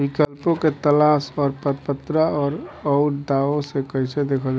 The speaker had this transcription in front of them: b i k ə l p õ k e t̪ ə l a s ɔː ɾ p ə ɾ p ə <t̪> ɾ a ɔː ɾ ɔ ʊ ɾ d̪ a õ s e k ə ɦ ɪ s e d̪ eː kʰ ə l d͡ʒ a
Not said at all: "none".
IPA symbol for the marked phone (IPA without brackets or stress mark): t̪